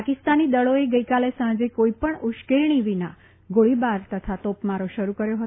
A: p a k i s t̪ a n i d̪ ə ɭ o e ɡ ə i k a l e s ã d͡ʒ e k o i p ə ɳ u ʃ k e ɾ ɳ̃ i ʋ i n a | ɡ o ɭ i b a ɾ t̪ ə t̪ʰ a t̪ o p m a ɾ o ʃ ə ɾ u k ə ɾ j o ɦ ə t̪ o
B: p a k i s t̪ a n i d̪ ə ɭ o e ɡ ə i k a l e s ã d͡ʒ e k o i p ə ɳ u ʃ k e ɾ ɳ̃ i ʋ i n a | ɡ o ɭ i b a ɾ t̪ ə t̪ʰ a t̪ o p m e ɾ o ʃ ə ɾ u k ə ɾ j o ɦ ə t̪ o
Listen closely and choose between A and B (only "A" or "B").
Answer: A